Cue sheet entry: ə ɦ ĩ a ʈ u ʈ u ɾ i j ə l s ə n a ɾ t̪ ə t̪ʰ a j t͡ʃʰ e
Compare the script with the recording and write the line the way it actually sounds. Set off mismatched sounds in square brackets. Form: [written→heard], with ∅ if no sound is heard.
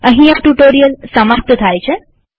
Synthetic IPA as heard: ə ɦ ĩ a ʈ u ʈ [u→o] ɾ i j ə l s ə [n→m] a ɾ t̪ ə t̪ʰ a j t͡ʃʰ e